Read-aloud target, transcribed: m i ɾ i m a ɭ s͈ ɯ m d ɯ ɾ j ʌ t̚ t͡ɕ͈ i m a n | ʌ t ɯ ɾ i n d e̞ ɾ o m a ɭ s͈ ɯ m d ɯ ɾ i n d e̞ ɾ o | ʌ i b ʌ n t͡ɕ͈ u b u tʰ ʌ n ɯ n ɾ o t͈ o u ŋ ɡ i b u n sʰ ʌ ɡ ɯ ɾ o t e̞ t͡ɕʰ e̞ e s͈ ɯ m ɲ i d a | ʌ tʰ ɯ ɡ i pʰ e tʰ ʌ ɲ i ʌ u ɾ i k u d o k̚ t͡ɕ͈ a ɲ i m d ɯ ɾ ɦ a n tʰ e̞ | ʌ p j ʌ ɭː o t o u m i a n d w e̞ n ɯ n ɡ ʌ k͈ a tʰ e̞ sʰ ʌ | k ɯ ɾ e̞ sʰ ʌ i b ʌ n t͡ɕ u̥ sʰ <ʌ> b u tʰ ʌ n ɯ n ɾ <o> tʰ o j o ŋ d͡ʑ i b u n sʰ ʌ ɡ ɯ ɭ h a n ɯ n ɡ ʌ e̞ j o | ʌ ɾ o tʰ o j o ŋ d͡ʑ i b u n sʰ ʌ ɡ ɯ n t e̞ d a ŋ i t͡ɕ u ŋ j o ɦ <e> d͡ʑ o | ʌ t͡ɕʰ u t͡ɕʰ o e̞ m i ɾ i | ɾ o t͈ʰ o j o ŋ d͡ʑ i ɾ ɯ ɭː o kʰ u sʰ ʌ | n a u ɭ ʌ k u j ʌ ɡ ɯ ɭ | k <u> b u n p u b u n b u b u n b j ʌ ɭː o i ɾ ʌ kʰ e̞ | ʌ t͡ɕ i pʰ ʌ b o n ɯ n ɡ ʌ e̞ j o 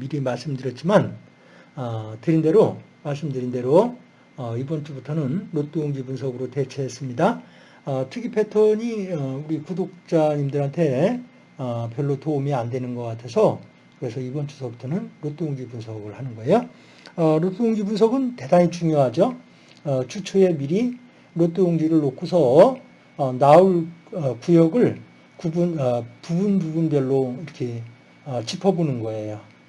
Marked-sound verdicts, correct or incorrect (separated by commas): correct, correct, incorrect, correct